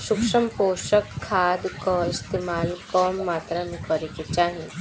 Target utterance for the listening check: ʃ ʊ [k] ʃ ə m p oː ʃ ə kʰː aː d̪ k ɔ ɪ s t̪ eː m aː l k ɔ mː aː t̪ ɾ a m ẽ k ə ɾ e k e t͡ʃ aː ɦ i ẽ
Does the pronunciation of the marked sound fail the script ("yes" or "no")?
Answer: no